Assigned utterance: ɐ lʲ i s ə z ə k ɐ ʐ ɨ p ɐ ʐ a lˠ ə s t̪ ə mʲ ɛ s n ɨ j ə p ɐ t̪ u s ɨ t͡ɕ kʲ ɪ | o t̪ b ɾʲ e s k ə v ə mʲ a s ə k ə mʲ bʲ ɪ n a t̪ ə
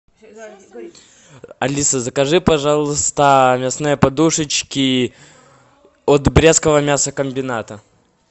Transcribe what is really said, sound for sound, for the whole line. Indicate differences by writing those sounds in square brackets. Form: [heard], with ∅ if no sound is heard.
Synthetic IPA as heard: ɐ lʲ i s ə z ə k ɐ ʐ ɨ p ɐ ʐ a lˠ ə s t̪ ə mʲ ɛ s n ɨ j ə p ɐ [d̪] u [ʂ] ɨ t͡ɕ kʲ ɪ | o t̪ b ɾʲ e s k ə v ə mʲ a s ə k ə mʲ bʲ ɪ n a t̪ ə